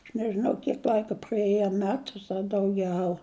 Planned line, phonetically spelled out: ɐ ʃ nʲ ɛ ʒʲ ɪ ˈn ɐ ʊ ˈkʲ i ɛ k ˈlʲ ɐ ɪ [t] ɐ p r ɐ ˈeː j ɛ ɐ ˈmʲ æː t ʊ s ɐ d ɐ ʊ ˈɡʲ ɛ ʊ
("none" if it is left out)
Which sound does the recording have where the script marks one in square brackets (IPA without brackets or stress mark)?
k